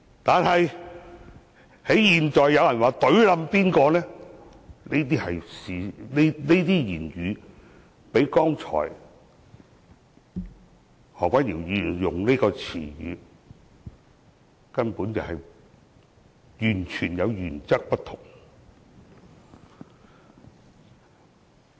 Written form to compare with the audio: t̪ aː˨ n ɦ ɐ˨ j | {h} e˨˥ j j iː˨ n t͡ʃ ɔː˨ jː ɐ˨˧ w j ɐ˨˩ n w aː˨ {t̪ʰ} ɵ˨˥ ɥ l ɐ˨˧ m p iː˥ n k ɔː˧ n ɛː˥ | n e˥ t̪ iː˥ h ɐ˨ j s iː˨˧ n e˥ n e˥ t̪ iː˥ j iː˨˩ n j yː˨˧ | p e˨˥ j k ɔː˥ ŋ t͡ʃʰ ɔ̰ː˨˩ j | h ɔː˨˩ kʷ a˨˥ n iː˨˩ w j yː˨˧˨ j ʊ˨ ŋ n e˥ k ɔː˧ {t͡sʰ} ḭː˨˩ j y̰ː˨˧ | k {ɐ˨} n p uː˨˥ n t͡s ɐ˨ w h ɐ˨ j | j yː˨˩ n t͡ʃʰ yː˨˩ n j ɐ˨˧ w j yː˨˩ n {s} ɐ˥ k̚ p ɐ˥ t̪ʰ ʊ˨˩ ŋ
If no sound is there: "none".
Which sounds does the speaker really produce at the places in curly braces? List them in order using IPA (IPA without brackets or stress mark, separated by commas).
h, t̪, t͡sʰ, ɐ˥, t͡s